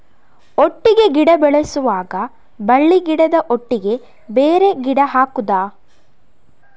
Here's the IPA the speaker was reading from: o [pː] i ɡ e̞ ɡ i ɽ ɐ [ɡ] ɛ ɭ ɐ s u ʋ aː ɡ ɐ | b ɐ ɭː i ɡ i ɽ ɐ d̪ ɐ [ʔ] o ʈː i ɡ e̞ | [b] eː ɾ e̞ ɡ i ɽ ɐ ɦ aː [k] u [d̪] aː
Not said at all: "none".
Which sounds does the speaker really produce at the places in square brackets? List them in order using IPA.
ʈː, b, ʔ, b, k, d̪

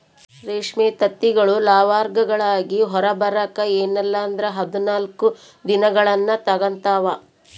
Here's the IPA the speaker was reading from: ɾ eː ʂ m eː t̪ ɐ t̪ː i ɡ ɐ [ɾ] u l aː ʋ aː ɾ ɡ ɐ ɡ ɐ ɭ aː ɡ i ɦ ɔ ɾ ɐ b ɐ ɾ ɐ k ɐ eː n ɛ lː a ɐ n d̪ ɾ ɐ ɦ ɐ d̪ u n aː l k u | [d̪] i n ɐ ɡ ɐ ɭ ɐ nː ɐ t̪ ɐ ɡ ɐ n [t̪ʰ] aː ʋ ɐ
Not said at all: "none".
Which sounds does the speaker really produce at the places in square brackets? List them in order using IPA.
ɭ, d̪, t̪

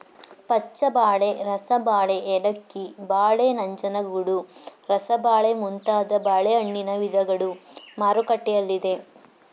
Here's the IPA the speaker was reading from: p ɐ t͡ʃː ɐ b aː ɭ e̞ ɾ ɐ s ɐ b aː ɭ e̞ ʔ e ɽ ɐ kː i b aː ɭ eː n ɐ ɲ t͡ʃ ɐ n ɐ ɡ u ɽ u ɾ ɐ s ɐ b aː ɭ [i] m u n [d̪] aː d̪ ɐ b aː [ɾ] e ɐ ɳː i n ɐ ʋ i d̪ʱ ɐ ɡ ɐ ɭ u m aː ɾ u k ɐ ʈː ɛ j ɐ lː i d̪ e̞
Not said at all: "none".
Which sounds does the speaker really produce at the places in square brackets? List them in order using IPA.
e, t̪, ɭ

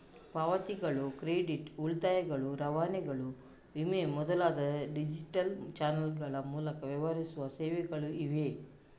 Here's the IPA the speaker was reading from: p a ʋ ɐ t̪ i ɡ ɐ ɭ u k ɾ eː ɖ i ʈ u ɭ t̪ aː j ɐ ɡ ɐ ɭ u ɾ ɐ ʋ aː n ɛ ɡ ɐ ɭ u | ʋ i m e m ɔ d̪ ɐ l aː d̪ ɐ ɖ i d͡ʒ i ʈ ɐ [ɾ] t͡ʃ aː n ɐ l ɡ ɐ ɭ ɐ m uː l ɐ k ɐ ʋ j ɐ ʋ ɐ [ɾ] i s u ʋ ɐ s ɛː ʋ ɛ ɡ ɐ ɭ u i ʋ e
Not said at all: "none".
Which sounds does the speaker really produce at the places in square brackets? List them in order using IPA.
l, ɾ

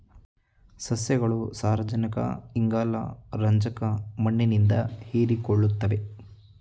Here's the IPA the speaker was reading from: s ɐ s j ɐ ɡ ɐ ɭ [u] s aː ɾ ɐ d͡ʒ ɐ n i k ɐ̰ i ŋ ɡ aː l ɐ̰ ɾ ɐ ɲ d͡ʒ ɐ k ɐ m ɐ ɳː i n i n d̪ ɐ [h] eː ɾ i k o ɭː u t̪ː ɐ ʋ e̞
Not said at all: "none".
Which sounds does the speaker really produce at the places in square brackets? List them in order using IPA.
u, h

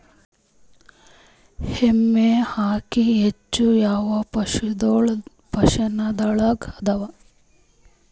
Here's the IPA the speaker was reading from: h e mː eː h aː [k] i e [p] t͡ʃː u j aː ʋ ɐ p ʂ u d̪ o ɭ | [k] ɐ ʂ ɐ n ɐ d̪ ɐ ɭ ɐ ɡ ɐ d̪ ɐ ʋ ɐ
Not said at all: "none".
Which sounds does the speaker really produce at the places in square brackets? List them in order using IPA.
k, none, p

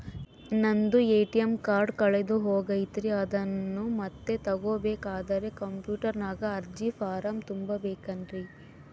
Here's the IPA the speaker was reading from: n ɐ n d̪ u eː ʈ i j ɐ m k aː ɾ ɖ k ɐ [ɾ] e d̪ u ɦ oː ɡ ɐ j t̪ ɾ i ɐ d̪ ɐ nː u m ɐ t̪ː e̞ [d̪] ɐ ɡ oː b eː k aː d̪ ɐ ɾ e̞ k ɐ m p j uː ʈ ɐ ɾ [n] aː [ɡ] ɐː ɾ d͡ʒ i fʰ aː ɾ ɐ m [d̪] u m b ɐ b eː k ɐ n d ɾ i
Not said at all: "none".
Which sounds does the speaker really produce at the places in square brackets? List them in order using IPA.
ɭ, t̪, n, ɡ, t̪

